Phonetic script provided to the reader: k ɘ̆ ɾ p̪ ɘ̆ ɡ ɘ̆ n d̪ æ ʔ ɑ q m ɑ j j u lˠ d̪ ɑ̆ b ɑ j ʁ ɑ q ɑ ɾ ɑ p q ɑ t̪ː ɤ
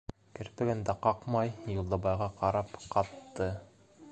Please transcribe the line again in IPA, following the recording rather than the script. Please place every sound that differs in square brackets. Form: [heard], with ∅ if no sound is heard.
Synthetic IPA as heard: k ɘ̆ ɾ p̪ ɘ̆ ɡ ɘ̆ n d̪ æ [q] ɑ q m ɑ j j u lˠ d̪ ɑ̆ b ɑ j ʁ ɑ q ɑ ɾ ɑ p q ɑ t̪ː ɤ